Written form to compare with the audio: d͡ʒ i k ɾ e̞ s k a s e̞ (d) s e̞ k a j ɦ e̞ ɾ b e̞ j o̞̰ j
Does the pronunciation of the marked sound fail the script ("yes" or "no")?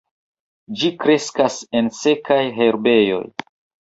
yes